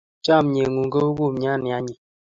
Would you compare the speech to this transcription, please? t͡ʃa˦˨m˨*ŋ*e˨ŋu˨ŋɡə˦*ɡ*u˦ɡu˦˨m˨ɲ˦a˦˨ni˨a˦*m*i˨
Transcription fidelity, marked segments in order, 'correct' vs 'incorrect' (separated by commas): incorrect, incorrect, incorrect